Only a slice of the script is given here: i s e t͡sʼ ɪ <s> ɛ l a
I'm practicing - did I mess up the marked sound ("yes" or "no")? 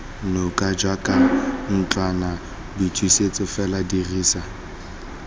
yes